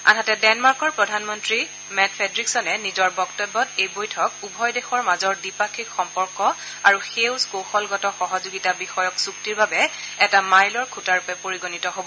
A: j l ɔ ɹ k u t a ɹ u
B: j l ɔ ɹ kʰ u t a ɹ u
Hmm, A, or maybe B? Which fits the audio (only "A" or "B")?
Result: B